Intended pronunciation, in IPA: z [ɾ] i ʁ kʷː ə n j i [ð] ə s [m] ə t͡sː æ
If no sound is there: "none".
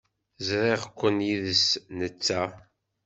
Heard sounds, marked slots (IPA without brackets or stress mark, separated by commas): ɾ, ð, n